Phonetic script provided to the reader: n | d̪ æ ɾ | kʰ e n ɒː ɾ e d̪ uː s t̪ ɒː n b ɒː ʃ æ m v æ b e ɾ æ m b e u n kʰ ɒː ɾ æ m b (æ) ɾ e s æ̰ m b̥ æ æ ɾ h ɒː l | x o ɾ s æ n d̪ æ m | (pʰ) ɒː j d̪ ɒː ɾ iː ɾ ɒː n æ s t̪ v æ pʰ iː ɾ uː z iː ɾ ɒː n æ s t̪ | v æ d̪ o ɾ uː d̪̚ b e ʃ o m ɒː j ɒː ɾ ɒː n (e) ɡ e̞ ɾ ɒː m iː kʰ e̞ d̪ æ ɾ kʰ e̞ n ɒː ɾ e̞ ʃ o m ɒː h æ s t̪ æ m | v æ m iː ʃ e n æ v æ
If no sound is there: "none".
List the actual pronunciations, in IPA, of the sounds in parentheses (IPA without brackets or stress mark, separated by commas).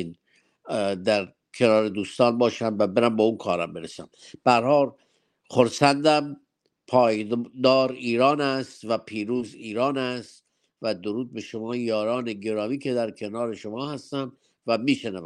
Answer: e, pʰ, e